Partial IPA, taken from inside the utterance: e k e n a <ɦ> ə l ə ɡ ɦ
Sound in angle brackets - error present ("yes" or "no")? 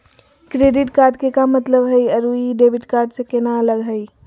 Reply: yes